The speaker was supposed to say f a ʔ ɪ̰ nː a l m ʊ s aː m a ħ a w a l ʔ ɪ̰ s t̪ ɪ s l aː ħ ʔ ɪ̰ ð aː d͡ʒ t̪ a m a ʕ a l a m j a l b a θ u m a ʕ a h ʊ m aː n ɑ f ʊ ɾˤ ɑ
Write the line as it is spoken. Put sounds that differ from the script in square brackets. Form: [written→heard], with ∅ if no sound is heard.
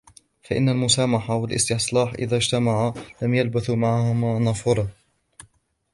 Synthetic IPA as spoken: f a ʔ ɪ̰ nː a l m ʊ s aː m a ħ a w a l ʔ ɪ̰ s t̪ ɪ s l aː ħ ʔ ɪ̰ ð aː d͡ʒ t̪ a m a ʕ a l a m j a l b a θ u m a ʕ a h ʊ m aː n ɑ f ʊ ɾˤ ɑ